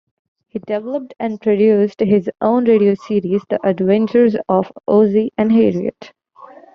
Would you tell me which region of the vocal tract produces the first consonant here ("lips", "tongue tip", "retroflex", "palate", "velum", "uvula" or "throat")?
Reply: throat